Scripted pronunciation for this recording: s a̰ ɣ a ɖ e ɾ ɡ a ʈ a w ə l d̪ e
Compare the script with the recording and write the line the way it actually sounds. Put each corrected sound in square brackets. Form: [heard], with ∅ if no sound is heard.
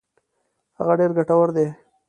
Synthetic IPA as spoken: [h] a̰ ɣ a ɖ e ɾ ɡ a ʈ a w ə [ɾ] d̪ e